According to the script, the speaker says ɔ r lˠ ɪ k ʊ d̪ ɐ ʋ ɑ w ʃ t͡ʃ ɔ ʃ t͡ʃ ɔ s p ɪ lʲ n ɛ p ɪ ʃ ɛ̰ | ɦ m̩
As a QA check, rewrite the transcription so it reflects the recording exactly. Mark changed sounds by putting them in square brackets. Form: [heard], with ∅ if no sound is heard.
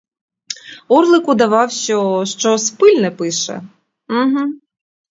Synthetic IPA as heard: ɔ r lˠ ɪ k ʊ d̪ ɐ ʋ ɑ w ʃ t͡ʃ ɔ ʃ t͡ʃ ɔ s p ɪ lʲ n ɛ p ɪ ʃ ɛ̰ | ɦ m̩